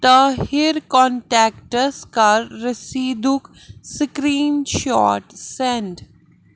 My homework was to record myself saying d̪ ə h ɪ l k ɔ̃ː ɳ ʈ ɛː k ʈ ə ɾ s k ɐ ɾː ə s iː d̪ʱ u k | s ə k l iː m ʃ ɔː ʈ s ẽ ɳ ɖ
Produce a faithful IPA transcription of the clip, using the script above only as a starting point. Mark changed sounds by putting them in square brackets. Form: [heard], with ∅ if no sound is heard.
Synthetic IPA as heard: [t̪] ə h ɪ [ɾ] k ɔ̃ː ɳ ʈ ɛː k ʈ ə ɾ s k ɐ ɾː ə s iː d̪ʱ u k | s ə k [ɾ] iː [n] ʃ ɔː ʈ s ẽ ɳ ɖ